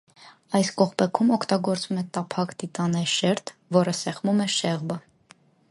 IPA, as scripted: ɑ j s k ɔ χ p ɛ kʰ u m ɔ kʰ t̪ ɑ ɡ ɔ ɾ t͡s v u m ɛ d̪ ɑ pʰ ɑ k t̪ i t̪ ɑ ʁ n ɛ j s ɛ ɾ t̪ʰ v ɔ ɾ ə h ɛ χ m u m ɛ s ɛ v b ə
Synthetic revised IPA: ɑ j s k ɔ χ p ɛ kʰ u m ɔ kʰ t̪ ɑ ɡ ɔ ɾ t͡s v u m ɛ t̪ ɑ pʰ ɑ k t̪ i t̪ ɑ n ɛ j ʃ ɛ ɾ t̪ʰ v ɔ ɾ ə s ɛ χ m u m ɛ ʃ ɛ ʁ b ə